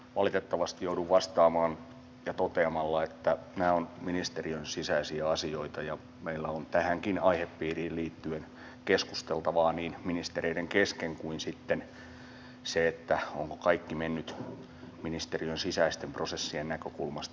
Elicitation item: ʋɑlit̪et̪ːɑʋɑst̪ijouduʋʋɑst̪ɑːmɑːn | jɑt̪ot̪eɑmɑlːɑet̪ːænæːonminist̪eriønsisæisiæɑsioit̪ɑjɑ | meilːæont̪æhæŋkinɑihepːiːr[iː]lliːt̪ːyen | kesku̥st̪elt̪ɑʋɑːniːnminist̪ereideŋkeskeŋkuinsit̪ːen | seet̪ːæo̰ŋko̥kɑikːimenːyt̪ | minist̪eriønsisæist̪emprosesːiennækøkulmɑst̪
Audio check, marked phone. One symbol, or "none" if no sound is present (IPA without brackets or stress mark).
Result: iː